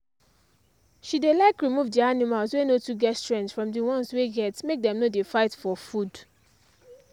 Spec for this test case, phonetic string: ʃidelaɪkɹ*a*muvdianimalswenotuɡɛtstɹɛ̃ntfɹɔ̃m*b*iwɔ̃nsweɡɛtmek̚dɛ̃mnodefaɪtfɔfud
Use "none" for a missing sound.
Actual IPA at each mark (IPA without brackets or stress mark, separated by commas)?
i, d